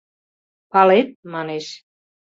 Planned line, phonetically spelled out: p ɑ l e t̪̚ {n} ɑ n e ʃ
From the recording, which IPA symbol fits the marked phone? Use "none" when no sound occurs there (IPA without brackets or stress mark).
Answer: m